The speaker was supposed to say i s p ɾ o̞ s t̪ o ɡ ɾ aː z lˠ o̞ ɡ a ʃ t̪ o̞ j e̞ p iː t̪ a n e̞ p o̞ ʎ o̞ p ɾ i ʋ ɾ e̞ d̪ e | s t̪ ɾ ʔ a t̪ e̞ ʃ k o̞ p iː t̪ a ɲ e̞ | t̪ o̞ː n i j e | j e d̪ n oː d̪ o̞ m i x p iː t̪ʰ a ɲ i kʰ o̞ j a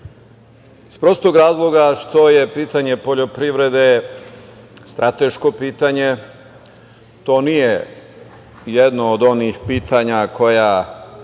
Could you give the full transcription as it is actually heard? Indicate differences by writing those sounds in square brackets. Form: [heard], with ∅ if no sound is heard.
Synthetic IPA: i s p ɾ o̞ s t̪ o ɡ ɾ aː z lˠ o̞ ɡ a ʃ t̪ o̞ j e̞ p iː t̪ a [ɲ] e̞ p o̞ ʎ o̞ p ɾ i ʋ ɾ e̞ d̪ e | s t̪ ɾ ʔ a t̪ e̞ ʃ k o̞ p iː t̪ a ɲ e̞ | t̪ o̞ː n i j e | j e d̪ n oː d̪ o̞ [n] i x p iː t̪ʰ a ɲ [a] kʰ o̞ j a